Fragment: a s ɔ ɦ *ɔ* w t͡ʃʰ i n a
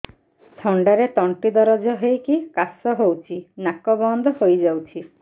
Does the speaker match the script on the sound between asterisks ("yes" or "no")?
no